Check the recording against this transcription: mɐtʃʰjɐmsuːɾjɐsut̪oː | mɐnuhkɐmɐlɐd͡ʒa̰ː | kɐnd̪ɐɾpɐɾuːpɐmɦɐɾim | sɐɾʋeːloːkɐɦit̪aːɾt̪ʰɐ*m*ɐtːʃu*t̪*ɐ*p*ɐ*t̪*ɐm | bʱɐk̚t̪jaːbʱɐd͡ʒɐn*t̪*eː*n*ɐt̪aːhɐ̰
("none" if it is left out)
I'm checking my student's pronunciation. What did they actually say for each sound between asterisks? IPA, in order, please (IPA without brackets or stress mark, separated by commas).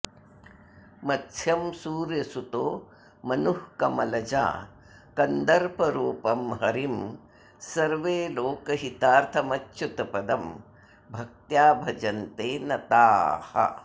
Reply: m, t̪, p, d̪, t̪, n